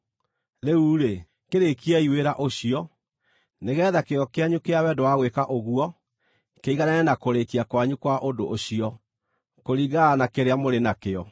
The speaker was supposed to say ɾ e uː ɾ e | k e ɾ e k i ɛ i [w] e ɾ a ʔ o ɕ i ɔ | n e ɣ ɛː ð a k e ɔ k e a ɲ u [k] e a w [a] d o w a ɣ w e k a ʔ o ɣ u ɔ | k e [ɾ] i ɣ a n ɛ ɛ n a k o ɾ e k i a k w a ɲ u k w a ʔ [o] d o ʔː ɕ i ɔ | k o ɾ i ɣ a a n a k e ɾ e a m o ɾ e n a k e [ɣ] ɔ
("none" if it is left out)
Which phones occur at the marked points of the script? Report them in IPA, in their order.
w, k, ɛ, none, o, none

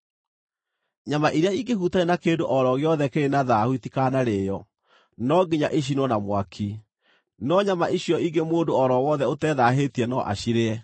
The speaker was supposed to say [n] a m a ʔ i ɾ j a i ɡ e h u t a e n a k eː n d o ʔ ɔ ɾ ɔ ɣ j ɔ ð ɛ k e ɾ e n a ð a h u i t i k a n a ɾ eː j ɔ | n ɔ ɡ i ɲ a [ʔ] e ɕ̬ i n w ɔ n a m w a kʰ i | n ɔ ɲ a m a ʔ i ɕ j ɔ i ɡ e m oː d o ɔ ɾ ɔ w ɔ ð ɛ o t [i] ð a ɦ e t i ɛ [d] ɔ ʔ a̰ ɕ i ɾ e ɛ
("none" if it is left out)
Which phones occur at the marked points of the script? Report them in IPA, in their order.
ɲ, ʔ, ɛ, n

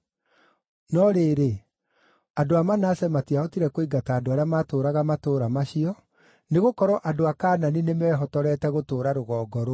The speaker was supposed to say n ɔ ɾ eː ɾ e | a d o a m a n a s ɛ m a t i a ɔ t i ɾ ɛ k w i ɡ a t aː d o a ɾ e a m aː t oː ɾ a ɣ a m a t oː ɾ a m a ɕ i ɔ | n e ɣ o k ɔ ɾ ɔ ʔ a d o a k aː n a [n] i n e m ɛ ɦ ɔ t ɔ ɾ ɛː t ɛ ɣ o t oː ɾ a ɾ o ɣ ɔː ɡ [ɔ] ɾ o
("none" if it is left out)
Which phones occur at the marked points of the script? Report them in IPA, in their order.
n, ɔ

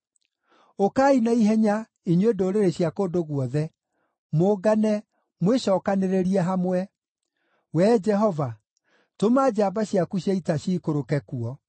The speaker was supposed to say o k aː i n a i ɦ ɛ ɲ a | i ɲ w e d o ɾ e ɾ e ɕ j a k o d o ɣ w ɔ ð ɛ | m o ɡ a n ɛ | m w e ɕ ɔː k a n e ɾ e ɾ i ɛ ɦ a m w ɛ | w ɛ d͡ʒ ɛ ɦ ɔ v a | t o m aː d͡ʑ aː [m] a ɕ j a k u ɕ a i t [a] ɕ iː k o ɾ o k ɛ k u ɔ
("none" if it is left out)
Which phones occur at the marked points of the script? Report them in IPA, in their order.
b, a

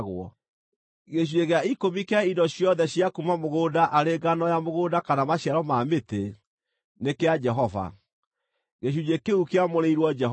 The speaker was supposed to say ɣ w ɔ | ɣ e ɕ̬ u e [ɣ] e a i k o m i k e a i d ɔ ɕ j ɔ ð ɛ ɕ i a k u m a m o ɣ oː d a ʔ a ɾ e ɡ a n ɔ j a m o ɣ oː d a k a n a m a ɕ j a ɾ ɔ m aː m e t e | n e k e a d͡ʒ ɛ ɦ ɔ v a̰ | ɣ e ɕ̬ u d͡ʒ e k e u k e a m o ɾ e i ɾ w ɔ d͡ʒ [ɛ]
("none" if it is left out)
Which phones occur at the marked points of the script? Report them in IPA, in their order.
ɣ, ɛ

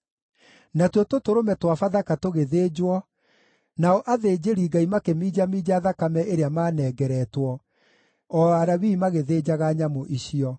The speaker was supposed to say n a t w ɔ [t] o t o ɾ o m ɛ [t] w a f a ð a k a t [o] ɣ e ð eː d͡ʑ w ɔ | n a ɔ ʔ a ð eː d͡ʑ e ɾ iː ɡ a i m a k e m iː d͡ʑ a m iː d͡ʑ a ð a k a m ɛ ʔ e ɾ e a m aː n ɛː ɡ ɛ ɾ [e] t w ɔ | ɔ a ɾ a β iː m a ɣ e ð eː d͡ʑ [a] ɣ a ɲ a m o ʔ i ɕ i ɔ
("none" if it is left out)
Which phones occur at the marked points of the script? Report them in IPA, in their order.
t, t, o, ɛ, a

